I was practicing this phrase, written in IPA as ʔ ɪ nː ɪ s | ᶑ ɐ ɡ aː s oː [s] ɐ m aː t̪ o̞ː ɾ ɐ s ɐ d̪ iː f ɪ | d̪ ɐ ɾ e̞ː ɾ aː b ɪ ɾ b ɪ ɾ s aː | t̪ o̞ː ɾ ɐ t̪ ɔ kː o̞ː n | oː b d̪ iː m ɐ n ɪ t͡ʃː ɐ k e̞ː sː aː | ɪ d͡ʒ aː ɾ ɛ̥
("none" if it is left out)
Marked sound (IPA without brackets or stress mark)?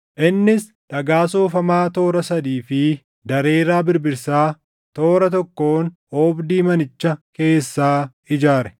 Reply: f